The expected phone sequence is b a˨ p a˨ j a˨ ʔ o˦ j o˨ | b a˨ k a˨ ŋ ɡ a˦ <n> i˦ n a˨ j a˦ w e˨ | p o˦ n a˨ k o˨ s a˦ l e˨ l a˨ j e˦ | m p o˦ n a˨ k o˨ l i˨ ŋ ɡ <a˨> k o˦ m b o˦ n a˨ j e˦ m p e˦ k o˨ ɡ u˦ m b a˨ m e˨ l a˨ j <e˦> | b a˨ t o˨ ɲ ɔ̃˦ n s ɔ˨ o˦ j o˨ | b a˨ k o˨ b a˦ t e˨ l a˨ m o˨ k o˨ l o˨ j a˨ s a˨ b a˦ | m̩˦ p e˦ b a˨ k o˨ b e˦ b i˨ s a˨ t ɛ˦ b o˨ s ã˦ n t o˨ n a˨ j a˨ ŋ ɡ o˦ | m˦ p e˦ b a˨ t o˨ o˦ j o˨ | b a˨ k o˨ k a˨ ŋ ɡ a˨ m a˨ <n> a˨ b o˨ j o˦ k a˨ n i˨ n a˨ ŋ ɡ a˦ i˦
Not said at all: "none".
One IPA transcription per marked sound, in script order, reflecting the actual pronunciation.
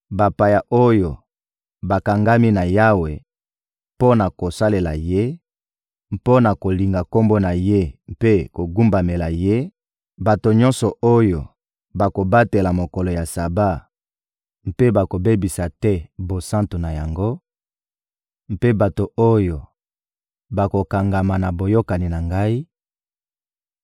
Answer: m, a˨, e˦, n

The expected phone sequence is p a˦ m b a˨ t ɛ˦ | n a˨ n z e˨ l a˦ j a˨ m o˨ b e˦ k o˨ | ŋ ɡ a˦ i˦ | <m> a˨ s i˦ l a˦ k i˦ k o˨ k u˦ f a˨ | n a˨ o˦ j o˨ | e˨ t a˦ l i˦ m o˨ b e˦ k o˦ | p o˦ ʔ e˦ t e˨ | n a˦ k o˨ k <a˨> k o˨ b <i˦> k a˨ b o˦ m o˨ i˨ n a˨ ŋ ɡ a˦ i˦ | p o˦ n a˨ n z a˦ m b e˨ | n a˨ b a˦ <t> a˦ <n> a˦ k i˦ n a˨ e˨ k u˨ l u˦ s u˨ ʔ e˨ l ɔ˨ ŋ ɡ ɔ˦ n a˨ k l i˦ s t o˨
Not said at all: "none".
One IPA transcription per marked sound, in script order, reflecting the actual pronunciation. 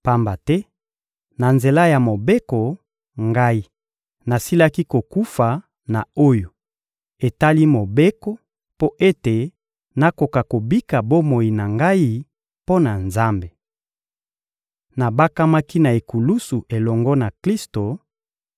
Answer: n, a˨, i˦, k, m

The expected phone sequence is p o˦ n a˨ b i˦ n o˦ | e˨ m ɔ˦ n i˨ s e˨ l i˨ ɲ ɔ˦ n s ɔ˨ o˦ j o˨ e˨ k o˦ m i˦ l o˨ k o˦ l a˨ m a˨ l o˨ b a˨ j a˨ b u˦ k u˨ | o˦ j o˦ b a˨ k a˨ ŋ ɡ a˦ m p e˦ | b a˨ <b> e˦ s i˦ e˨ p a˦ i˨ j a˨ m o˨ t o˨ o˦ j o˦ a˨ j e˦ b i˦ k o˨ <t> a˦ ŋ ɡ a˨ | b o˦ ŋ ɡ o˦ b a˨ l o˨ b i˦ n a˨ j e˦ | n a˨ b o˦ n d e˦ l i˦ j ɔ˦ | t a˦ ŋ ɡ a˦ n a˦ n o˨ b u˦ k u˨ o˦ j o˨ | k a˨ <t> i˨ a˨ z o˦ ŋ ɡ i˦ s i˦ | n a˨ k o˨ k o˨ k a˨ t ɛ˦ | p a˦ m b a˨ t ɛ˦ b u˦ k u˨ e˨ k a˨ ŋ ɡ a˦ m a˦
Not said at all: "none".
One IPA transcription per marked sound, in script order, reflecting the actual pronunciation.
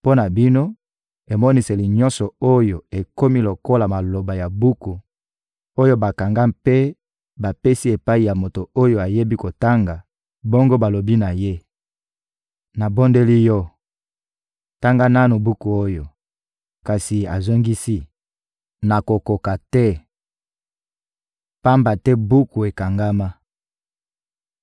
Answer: p, t, s

